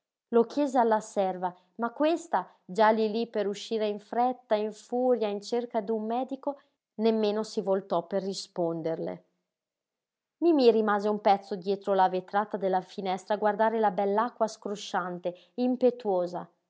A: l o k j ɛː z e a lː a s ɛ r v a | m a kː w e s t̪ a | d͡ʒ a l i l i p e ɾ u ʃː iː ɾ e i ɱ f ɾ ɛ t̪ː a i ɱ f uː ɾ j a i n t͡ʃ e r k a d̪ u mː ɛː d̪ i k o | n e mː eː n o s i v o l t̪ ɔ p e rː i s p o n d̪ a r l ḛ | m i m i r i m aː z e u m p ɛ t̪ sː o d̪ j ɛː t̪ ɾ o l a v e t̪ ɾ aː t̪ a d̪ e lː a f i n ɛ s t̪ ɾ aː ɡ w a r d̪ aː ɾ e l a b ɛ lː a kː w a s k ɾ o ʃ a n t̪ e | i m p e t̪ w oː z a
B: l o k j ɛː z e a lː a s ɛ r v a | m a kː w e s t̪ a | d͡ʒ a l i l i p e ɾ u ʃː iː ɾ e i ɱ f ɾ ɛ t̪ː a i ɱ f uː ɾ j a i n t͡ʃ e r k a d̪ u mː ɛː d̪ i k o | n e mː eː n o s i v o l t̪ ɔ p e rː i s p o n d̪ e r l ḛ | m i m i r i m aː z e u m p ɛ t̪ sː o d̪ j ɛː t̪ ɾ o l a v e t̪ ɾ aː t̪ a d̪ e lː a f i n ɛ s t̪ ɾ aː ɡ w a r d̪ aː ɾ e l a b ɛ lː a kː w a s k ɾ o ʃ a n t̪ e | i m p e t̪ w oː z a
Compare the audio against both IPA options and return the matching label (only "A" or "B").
B